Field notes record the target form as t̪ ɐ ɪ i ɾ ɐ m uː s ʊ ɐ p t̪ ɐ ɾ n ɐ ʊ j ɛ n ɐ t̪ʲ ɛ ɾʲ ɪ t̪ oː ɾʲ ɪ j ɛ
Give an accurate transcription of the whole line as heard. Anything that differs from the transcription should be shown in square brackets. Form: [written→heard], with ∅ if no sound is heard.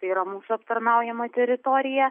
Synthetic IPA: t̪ ɐ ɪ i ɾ ɐ m uː s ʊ ɐ p t̪ ɐ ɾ n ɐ ʊ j ɛ [n→m] ɐ t̪ʲ ɛ ɾʲ ɪ t̪ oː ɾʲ ɪ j ɛ